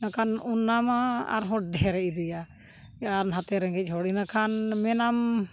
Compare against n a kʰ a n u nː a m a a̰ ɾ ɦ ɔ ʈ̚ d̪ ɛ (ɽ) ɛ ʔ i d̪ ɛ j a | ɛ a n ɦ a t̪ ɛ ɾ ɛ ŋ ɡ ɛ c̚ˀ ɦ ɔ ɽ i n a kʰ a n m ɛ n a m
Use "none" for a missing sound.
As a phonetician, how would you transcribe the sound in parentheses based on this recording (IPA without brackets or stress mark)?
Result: ɾ